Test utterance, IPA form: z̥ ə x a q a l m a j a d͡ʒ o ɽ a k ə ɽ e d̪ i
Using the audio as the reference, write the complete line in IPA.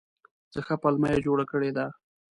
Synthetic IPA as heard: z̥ ə x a p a l m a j a d͡ʒ o ɽ a k ə ɽ e d̪ a